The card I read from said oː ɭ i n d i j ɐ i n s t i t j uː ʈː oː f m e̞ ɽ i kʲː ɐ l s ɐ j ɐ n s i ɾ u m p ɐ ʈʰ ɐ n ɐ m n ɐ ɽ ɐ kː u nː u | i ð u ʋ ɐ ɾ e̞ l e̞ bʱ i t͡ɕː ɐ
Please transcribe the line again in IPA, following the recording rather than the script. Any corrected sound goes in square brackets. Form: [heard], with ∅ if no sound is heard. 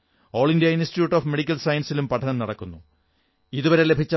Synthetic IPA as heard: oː ɭ i n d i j ɐ i n s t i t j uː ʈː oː f m e̞ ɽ i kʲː ɐ l s ɐ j ɐ n s i [l] u m p ɐ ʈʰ ɐ n ɐ m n ɐ ɽ ɐ kː u nː u | i ð u ʋ ɐ ɾ e̞ l e̞ bʱ i t͡ɕː ɐ